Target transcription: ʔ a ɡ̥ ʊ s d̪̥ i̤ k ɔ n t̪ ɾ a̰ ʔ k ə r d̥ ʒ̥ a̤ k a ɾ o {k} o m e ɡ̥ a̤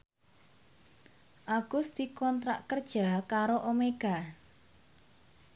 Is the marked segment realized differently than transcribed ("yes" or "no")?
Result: yes